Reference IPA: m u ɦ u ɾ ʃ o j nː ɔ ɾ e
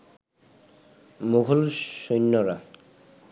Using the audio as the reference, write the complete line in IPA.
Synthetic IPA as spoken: m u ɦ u l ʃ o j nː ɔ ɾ a